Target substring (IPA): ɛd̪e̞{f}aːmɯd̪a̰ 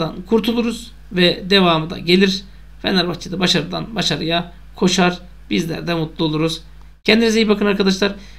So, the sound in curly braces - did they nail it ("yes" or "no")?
no